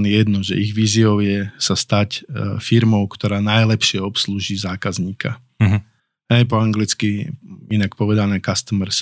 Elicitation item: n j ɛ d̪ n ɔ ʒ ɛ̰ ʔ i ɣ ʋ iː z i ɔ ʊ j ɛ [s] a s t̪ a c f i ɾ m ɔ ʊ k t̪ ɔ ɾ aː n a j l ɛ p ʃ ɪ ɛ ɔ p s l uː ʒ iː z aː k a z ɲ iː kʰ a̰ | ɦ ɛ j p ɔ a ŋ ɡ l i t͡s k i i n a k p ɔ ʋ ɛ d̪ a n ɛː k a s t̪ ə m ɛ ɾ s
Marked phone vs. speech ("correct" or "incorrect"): correct